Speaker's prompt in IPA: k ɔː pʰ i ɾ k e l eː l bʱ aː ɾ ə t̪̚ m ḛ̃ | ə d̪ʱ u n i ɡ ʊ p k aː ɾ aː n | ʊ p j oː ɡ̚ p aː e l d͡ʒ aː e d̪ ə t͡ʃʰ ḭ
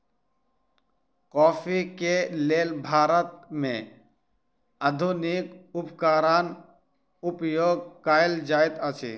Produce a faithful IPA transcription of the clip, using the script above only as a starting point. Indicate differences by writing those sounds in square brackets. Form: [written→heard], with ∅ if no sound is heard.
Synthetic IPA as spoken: k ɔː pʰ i [ɾ→∅] k e l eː l bʱ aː ɾ ə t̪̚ m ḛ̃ | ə d̪ʱ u n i [ɡ→k] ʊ p k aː ɾ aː n | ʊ p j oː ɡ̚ [p→k] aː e l d͡ʒ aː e [d̪→t̪] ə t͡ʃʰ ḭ

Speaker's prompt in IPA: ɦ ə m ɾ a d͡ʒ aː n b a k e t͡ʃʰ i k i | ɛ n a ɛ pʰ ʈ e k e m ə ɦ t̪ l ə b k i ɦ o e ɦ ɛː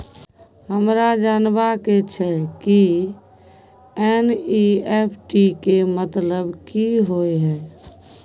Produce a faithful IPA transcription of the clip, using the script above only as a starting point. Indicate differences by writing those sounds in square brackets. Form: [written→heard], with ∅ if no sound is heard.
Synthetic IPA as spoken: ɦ ə m ɾ a d͡ʒ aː n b a k e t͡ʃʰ [i→ɛ] k i | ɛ n [a→i] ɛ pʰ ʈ [e→i] k e m ə [ɦ→∅] t̪ l ə b k i ɦ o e ɦ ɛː

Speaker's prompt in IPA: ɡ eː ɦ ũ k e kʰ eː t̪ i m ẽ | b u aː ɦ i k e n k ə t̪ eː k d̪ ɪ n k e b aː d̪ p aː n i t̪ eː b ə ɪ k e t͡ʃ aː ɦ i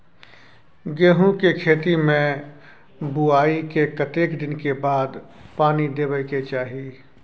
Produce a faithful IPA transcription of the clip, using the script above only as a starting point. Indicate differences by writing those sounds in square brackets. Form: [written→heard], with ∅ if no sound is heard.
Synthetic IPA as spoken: ɡ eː ɦ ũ k e kʰ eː t̪ i m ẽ | b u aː [ɦ→∅] i k e [n→∅] k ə t̪ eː k d̪ ɪ n k e b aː d̪ p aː n i [t̪→d̪] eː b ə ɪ k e t͡ʃ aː ɦ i

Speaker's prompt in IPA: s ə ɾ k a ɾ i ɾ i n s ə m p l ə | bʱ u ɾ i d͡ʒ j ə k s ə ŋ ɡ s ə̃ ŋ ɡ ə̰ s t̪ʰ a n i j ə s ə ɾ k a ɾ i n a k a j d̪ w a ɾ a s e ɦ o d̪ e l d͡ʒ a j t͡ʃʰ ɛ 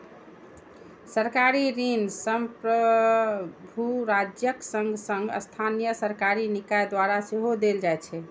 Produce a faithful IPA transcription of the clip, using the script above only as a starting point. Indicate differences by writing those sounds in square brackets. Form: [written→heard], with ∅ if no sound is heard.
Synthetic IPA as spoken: s ə ɾ k a ɾ i ɾ i n s ə m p [l→ɾ] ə | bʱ u ɾ [i→a] d͡ʒ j ə k s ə ŋ ɡ s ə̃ ŋ ɡ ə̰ s t̪ʰ a n i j ə s ə ɾ k a ɾ i n [a→i] k a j d̪ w a ɾ a s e ɦ o d̪ e l d͡ʒ a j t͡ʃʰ ɛ

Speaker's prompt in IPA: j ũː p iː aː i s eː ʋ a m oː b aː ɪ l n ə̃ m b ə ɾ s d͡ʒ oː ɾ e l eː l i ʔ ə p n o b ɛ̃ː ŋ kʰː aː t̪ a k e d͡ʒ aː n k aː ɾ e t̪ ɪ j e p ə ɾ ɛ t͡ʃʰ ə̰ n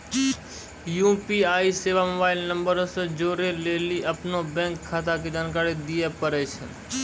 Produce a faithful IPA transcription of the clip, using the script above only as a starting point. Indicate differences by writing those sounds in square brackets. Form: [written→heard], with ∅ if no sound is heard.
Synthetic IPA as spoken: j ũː p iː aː i s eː ʋ a m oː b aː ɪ l n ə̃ m b ə ɾ s d͡ʒ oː ɾ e l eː l i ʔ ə p n o b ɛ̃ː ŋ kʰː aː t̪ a k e d͡ʒ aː n k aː ɾ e [t̪→d̪] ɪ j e p ə ɾ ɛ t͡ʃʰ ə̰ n

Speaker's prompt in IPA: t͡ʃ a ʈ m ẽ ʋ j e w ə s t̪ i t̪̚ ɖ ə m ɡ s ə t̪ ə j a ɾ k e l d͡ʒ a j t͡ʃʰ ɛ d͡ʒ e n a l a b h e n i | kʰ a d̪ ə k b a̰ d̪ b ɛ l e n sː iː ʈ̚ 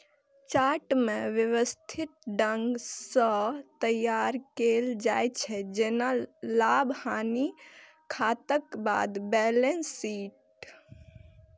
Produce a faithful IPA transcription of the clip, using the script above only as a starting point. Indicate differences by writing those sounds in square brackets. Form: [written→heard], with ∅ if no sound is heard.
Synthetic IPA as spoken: t͡ʃ a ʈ m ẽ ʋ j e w ə s [t̪→t̪ʰ] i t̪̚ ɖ ə [m→ŋ] ɡ s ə t̪ ə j a ɾ k e l d͡ʒ a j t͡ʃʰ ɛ d͡ʒ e n a l a b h [e→a] n i | kʰ a [d̪→t̪] ə k b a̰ d̪ b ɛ l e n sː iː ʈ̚

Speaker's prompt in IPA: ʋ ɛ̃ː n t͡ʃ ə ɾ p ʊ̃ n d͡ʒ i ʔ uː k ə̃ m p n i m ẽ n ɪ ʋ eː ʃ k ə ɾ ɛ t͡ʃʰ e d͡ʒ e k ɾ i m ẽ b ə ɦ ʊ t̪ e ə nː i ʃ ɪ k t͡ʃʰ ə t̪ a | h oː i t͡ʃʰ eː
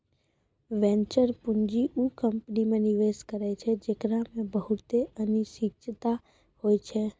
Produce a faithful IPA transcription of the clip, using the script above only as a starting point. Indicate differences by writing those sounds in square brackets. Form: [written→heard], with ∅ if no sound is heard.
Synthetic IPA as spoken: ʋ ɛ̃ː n t͡ʃ ə ɾ p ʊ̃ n d͡ʒ i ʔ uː k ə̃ m p n i m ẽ n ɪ ʋ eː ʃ k ə ɾ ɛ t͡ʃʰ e d͡ʒ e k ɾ [i→a] m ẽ b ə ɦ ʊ t̪ e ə [nː→n] i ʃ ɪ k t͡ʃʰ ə t̪ a | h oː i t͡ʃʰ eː

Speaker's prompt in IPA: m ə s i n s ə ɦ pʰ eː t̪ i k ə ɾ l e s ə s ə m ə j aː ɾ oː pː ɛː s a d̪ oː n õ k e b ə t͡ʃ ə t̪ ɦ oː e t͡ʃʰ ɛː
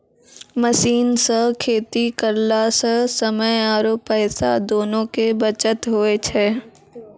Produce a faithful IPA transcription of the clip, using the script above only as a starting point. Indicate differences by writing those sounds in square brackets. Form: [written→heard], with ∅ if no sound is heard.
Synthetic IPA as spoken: m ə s [i→iː] n s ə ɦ [pʰ→kʰ] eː t̪ i k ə ɾ l [e→a] s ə s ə m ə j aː ɾ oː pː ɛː s a d̪ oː n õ k e b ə t͡ʃ ə t̪ ɦ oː e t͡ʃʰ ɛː

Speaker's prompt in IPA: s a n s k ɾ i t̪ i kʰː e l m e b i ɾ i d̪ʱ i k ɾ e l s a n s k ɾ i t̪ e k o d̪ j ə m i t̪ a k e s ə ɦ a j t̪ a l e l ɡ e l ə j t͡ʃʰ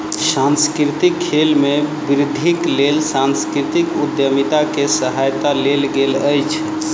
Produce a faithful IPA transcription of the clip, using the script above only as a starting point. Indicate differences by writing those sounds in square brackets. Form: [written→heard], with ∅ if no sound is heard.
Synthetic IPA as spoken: s a n s k ɾ i t̪ i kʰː e l m e b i ɾ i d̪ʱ i k [ɾ→l] e l s a n s k ɾ i t̪ [e→i] k [o→u] d̪ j ə m i t̪ a k e s ə ɦ a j t̪ a l e l ɡ e l ə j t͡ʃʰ

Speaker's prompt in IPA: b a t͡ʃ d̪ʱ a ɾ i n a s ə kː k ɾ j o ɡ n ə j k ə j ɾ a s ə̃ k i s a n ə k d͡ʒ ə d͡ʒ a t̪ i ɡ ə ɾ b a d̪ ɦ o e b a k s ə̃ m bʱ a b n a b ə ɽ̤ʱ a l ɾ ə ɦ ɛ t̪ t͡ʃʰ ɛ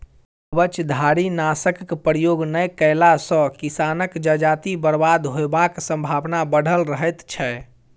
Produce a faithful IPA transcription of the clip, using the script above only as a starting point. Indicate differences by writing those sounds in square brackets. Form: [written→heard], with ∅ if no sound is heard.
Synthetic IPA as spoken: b [a→ə] t͡ʃ d̪ʱ a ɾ i n a s ə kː [k→p] ɾ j o ɡ n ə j k ə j [ɾ→l] a s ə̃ k i s a n ə k d͡ʒ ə d͡ʒ a t̪ i [ɡ→b] ə ɾ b a d̪ ɦ o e b a k s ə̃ m bʱ a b n a b ə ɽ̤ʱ [a→ə] l ɾ ə ɦ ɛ t̪ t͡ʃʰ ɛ

